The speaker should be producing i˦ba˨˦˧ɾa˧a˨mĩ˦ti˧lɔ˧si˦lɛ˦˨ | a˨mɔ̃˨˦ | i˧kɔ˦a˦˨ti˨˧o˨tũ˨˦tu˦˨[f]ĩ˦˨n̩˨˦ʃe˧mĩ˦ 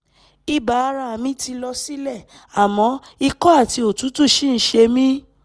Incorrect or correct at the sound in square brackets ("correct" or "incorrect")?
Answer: incorrect